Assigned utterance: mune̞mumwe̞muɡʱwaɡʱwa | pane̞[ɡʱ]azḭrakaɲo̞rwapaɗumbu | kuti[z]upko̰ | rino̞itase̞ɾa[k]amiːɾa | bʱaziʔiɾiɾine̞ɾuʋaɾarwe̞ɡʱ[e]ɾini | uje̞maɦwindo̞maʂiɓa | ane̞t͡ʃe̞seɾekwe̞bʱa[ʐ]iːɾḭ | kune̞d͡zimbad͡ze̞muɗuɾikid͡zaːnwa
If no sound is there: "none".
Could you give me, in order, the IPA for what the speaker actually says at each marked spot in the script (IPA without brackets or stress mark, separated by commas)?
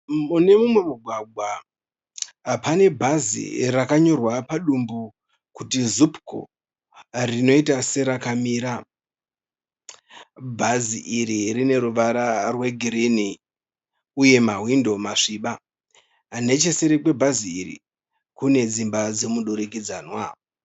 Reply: bʱ, z, k, i, z